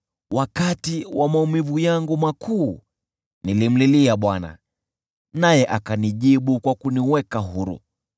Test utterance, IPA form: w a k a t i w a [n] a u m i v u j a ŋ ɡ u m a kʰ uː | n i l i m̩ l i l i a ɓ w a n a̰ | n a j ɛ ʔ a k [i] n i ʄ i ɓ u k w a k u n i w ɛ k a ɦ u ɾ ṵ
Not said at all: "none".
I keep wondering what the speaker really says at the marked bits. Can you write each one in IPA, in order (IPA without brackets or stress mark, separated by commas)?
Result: m, a